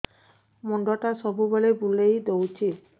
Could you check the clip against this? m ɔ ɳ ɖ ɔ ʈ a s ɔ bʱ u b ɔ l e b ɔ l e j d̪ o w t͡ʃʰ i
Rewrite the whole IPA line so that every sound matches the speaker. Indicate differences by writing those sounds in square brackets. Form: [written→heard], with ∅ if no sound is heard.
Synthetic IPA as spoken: m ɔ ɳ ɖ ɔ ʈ a s ɔ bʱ u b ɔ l e b [ɔ→u] l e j d̪ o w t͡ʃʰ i